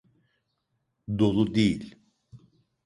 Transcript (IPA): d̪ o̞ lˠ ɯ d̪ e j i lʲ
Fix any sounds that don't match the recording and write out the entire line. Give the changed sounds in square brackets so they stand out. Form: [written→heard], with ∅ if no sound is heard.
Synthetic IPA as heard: d̪ o̞ lˠ [ɯ→u] d̪ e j i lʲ

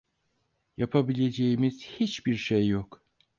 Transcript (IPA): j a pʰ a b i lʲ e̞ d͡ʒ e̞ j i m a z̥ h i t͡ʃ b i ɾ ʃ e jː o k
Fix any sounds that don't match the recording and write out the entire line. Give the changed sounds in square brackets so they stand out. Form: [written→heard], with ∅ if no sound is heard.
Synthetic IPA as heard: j a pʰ a b i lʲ e̞ d͡ʒ e̞ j i m [a→i] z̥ h i t͡ʃ b i ɾ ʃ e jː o k

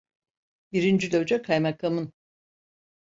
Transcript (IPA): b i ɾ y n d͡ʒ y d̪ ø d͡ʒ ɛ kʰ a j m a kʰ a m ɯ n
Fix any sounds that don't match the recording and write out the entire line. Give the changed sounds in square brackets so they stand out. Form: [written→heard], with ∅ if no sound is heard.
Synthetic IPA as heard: b i ɾ [y→i] n d͡ʒ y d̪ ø d͡ʒ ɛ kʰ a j m a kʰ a m ɯ n

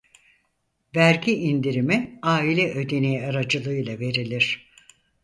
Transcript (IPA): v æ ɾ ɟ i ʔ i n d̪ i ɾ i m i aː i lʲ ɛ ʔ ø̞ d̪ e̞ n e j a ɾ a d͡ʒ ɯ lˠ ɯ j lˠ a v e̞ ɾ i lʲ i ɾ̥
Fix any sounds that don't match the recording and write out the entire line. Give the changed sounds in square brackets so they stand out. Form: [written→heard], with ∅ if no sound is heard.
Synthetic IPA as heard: v æ ɾ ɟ i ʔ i n d̪ i ɾ i m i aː i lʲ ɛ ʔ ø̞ d̪ e̞ n e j a ɾ a d͡ʒ ɯ lˠ ɯ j lˠ a v e̞ ɾ i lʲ i ɾ̥

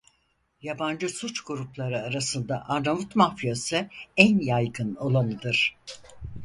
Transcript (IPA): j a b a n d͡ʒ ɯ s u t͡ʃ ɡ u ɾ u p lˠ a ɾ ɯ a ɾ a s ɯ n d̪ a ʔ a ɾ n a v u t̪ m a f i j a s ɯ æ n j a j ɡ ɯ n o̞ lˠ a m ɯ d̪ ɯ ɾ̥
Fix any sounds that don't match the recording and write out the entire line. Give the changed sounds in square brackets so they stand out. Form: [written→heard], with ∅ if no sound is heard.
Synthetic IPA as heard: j a b a n d͡ʒ ɯ s u t͡ʃ ɡ u ɾ u p lˠ a ɾ ɯ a ɾ a s ɯ n d̪ a ʔ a ɾ n a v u t̪ m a f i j a s ɯ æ n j a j ɡ ɯ n o̞ lˠ a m ɯ d̪ ɯ ɾ̥

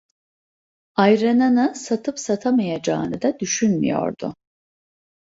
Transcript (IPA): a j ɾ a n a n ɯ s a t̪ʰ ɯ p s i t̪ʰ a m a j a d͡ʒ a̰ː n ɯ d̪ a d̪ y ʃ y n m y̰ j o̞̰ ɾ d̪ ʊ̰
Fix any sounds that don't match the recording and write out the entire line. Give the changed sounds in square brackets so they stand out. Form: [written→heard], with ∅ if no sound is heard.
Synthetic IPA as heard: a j ɾ a n a n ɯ s a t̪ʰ ɯ p s [i→a] t̪ʰ a m a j a d͡ʒ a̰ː n ɯ d̪ a d̪ y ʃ y n m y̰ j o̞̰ ɾ d̪ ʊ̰

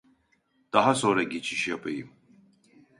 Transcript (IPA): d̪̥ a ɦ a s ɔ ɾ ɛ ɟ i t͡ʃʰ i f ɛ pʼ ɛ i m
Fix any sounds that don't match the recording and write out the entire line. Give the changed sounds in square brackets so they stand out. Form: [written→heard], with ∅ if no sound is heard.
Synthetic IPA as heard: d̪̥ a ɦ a s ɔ ɾ ɛ [ɟ→ɡ] i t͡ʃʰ i [f→ʃ] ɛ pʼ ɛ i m

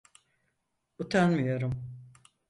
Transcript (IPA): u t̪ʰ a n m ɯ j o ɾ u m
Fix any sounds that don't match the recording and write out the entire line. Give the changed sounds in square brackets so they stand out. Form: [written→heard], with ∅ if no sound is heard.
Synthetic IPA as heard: u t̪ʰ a n m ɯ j o ɾ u m

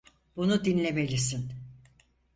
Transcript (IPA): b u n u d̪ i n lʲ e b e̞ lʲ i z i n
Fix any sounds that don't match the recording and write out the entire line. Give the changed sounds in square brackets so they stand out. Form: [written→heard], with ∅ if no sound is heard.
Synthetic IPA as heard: b u n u d̪ i n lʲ e [b→m] e̞ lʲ i [z→s] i n

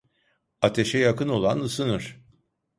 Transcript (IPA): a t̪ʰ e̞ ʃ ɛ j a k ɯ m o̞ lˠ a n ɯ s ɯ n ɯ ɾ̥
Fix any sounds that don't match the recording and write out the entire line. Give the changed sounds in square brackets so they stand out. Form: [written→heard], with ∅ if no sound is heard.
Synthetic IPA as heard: a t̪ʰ e̞ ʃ ɛ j a k ɯ [m→n] o̞ lˠ a n ɯ s ɯ n ɯ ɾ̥

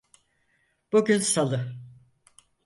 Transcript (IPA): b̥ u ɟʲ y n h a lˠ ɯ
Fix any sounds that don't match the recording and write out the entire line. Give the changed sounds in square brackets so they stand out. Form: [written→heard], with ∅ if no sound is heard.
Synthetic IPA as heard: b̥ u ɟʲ y n [h→s] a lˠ ɯ

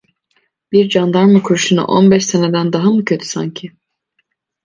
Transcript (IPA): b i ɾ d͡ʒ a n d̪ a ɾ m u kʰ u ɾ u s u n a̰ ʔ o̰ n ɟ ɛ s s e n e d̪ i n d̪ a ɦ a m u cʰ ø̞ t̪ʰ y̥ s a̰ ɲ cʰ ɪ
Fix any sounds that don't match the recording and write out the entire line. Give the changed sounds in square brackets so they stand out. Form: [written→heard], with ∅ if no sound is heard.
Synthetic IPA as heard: b i ɾ d͡ʒ a n d̪ a ɾ m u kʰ u ɾ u [s→ʃ] u n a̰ ʔ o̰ n [ɟ→b] ɛ [s→ʃ] s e n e d̪ [i→æ] n d̪ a ɦ a m u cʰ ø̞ t̪ʰ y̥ s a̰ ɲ cʰ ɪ

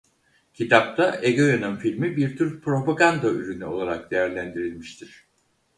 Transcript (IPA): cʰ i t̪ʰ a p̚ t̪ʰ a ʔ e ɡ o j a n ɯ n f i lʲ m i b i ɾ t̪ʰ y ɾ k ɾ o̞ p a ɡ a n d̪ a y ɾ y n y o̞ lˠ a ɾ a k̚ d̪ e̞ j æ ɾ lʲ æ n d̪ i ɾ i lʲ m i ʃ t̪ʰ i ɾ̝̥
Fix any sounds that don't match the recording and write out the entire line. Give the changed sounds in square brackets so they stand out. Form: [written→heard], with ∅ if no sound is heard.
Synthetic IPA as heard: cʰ i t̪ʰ a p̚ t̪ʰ a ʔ e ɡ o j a n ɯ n f i lʲ m i b i ɾ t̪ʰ y ɾ [k→p] ɾ o̞ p a ɡ a n d̪ a y ɾ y n y o̞ lˠ a ɾ a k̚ d̪ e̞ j æ ɾ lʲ æ n d̪ i ɾ i lʲ m i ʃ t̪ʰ i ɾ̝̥

